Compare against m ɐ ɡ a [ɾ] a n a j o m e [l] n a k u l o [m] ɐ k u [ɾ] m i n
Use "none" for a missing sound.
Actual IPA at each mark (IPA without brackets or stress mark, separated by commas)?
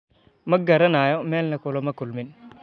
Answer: ɾ, l, m, l